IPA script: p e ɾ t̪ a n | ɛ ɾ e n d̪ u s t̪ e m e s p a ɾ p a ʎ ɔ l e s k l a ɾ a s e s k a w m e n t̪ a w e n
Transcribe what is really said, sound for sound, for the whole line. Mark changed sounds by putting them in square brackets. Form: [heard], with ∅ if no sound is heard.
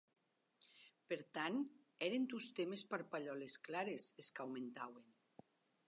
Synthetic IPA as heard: p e ɾ t̪ a n | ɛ ɾ e n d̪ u s t̪ e m e s p a ɾ p a ʎ ɔ l e s k l a ɾ [e] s e s k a w m e n t̪ a w e n